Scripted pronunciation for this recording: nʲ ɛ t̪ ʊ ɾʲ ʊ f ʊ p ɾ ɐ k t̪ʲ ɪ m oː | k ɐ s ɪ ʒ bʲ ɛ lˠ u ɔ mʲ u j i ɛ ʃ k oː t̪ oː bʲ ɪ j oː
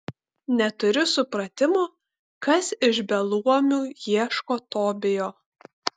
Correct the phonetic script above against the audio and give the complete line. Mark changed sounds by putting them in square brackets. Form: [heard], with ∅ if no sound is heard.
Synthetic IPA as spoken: nʲ ɛ t̪ ʊ ɾʲ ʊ [s] ʊ p ɾ ɐ [∅] t̪ʲ ɪ m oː | k ɐ s ɪ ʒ bʲ ɛ lˠ u ɔ mʲ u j i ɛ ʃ k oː t̪ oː bʲ ɪ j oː